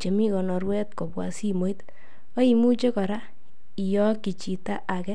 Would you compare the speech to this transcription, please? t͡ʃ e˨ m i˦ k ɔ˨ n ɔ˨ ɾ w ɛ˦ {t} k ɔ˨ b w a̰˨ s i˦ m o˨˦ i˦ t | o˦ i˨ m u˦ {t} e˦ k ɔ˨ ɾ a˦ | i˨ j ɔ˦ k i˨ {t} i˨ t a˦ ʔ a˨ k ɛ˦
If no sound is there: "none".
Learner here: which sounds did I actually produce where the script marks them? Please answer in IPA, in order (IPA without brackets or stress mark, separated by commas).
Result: t, t͡ʃ, t͡ʃ